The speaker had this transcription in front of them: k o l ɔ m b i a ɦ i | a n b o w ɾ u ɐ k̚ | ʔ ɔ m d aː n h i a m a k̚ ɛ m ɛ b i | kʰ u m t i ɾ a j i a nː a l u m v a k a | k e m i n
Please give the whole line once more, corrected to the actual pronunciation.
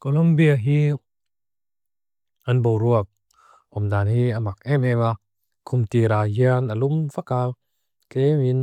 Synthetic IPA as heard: k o l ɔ m b i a ɦ i | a n b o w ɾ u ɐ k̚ | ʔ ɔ m d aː n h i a m a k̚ ɛ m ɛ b a | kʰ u m t i ɾ a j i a n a l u m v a k a | k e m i n